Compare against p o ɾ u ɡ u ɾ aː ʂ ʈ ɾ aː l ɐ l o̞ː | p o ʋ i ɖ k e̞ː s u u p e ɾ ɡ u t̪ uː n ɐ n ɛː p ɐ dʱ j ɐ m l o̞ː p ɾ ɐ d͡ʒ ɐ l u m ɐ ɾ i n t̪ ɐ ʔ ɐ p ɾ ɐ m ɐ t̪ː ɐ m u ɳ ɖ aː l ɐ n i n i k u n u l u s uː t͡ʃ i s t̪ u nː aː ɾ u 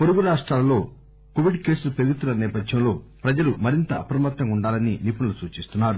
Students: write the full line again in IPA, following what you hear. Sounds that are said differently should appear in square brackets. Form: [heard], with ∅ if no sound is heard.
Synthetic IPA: p o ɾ u ɡ u ɾ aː ʂ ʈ ɾ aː l ɐ l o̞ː | [k] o ʋ i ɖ k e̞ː s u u p e ɾ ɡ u t̪ [u] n ɐ n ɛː p ɐ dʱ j ɐ m l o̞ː p ɾ ɐ d͡ʒ ɐ l u m ɐ ɾ i n t̪ ɐ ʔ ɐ p ɾ ɐ m ɐ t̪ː ɐ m u ɳ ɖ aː l ɐ n i n i [p] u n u l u s uː t͡ʃ i s t̪ u nː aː ɾ u